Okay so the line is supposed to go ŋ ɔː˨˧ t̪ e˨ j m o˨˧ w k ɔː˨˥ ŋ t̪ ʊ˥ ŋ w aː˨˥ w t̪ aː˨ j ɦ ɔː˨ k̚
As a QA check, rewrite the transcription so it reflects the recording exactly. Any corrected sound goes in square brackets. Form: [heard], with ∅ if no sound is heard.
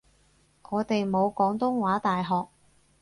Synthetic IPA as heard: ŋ ɔː˨˧ t̪ e˨ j m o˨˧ w k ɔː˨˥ ŋ t̪ ʊ˥ ŋ w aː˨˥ [∅] t̪ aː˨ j ɦ ɔː˨ k̚

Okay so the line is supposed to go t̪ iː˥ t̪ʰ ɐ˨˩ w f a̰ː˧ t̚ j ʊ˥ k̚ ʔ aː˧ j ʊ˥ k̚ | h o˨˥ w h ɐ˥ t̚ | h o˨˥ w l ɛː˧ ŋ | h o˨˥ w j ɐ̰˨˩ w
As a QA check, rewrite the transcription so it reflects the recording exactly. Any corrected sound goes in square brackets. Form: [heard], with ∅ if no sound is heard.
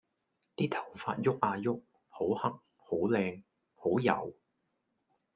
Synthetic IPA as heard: t̪ iː˥ t̪ʰ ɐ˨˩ w f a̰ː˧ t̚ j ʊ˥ k̚ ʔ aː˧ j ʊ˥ k̚ | h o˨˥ w h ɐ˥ [k̚] | h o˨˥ w l ɛː˧ ŋ | h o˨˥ w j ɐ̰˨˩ w

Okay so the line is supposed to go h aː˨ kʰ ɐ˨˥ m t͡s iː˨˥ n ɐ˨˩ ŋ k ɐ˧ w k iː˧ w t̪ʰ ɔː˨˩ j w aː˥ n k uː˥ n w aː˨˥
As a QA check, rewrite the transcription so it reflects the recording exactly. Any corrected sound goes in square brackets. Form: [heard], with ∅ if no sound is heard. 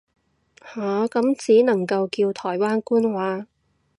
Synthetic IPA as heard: h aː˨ [k] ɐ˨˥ m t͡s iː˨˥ n ɐ˨˩ ŋ k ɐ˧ w k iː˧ w t̪ʰ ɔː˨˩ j w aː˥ n k uː˥ n w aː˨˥

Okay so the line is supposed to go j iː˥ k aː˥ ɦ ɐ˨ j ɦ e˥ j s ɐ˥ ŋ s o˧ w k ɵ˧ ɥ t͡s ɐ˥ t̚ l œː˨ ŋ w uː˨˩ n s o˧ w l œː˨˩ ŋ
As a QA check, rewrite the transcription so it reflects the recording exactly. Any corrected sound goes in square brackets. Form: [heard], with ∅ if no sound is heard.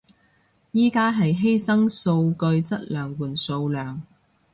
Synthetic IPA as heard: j iː˥ k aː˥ ɦ ɐ˨ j ɦ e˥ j s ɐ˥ ŋ s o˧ w k ɵ˧ ɥ t͡s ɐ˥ t̚ l œː˨ ŋ w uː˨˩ n s o˧ w l œː˨˩ ŋ

